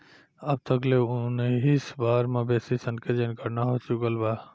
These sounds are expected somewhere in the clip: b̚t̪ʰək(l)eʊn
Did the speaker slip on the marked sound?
no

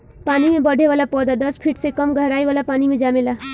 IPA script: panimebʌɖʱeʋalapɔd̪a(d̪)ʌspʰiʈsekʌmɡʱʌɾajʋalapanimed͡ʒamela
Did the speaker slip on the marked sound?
no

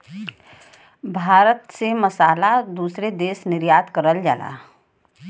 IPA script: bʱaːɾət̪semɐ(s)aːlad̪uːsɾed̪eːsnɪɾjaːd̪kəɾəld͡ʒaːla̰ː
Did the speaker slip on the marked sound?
no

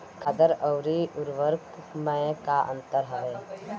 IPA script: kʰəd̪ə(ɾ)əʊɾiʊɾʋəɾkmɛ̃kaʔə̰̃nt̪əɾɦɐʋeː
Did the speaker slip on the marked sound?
no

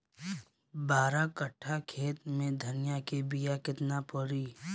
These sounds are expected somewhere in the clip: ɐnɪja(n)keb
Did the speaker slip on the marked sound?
yes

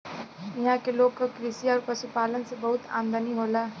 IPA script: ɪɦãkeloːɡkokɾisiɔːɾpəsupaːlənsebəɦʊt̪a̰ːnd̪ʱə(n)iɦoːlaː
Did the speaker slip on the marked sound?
no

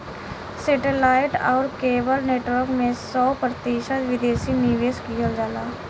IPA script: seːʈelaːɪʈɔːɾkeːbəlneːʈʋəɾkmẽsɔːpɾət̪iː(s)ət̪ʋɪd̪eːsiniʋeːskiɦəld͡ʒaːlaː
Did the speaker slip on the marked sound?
yes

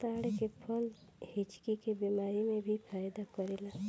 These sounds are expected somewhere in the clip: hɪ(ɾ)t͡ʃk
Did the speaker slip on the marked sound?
yes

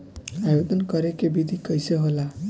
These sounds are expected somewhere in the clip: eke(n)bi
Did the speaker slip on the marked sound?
yes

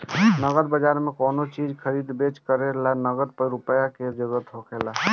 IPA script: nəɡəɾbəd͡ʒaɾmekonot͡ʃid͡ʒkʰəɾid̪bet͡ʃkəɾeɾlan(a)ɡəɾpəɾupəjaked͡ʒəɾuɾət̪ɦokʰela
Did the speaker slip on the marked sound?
yes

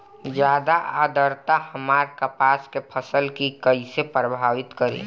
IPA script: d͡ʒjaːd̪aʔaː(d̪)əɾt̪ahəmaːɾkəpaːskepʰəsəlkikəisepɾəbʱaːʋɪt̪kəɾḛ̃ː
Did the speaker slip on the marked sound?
no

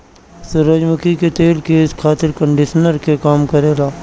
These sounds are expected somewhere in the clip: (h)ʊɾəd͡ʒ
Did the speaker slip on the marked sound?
yes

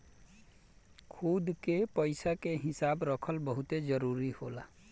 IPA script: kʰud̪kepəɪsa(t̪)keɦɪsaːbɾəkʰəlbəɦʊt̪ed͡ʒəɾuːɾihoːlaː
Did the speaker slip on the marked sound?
yes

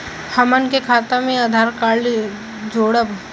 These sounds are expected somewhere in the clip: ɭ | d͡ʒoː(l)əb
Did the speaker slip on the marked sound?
yes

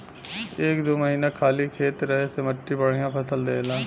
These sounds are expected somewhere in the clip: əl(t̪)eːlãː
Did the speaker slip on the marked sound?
yes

